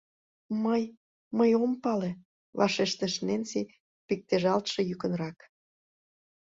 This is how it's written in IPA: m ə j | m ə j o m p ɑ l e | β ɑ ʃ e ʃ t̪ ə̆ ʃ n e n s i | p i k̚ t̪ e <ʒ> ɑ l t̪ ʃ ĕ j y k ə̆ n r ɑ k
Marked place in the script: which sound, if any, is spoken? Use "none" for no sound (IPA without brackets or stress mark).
ʒ